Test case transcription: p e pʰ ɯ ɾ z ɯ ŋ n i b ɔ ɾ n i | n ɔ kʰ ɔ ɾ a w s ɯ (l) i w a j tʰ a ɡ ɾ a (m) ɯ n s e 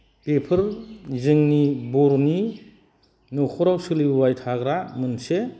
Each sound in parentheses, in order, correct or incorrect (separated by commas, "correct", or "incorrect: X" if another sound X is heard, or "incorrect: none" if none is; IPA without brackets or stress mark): correct, correct